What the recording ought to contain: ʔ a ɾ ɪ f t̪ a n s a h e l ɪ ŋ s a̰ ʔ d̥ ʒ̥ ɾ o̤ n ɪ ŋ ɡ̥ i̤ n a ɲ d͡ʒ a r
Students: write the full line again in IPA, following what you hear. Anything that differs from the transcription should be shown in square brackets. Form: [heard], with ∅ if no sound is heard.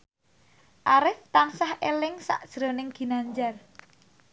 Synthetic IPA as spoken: ʔ a ɾ ɪ f t̪ a n s a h e l ɪ ŋ s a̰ ʔ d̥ ʒ̥ ɾ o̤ n ɪ ŋ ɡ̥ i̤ n a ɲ d͡ʒ a r